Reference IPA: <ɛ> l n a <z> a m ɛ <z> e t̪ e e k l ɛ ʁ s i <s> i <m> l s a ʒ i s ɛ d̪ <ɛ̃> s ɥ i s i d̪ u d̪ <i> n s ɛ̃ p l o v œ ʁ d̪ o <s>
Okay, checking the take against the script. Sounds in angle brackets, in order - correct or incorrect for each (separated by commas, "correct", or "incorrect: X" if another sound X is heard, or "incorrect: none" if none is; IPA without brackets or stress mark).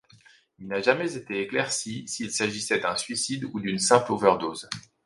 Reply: incorrect: i, incorrect: ʒ, correct, correct, incorrect: none, correct, incorrect: y, incorrect: z